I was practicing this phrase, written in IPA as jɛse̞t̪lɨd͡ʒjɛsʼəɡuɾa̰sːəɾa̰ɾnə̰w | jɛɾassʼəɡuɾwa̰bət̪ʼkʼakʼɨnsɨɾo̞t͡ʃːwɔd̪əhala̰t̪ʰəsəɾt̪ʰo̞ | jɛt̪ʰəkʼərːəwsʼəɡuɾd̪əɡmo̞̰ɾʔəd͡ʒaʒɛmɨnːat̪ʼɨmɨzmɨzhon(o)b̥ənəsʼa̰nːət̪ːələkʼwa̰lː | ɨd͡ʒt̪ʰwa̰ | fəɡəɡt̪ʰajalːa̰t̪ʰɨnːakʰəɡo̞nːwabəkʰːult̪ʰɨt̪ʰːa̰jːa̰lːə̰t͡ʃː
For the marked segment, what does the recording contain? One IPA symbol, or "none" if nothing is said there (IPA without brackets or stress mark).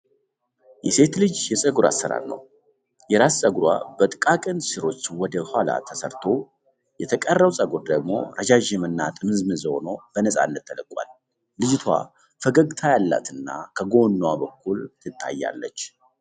o